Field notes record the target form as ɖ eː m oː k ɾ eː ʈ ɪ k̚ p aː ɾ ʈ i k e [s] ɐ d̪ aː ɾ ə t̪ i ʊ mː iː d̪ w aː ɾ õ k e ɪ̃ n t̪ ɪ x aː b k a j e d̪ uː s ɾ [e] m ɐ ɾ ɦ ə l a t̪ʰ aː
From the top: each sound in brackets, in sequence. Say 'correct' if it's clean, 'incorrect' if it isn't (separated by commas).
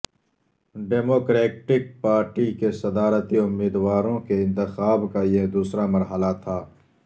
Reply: correct, incorrect